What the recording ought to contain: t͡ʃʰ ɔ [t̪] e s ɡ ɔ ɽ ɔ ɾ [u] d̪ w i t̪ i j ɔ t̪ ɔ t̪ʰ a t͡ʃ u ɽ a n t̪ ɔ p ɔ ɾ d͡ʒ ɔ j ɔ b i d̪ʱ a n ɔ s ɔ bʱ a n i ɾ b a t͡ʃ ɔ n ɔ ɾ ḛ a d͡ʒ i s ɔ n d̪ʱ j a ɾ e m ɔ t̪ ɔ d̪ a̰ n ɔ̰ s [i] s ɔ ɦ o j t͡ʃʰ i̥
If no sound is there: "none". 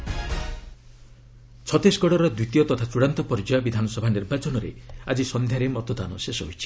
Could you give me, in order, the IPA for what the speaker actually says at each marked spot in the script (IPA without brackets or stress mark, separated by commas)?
t̪, ɔ, e